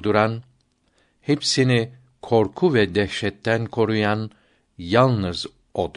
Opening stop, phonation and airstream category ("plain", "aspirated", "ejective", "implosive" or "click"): plain